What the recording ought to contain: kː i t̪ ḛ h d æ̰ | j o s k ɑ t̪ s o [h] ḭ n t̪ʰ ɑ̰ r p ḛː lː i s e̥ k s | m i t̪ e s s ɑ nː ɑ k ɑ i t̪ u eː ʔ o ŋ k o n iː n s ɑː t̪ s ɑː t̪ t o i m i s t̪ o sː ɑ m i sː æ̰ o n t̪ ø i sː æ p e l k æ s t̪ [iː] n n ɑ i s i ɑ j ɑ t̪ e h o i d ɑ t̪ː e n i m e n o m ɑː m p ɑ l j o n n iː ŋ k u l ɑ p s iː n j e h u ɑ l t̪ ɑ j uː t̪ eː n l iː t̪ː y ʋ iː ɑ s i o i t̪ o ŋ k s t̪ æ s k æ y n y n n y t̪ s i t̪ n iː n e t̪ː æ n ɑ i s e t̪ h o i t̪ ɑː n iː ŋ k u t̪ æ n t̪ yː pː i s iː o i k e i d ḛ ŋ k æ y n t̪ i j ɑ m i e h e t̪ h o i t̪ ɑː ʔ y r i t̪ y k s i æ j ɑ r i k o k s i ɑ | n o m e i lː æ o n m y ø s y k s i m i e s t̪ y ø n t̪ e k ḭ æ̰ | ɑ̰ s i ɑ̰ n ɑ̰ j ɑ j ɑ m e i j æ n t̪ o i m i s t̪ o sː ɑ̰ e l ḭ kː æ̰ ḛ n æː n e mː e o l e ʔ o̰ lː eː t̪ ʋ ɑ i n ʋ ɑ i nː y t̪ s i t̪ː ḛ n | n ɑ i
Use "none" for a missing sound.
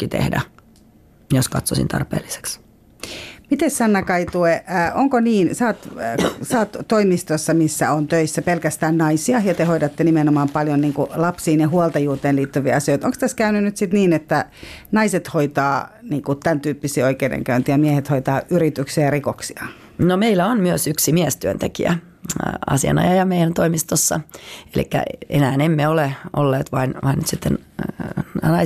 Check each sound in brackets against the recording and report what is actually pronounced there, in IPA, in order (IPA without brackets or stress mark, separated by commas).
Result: s, æː